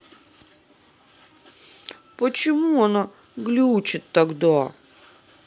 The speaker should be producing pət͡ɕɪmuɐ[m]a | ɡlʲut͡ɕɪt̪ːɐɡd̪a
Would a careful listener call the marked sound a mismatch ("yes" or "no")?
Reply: yes